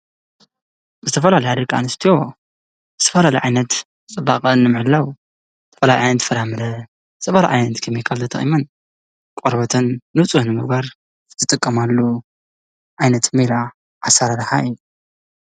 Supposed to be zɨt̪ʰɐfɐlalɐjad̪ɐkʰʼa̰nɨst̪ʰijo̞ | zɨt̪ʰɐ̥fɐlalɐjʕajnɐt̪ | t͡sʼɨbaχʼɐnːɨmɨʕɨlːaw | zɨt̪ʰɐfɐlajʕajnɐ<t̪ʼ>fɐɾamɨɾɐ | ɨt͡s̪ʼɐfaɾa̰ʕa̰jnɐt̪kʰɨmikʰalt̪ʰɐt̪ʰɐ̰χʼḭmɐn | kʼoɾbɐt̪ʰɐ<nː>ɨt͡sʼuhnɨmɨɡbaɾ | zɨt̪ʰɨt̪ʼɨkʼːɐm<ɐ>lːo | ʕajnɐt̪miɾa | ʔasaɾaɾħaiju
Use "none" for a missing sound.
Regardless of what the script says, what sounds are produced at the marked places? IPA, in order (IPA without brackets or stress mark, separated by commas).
t̪, nː, a